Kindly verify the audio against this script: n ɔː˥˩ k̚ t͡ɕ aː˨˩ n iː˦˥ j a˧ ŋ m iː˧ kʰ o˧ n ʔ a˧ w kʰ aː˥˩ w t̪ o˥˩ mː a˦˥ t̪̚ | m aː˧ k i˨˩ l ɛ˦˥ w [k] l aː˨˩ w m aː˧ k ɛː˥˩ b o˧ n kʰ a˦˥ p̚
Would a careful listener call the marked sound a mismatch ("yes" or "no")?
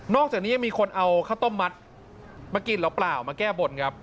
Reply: yes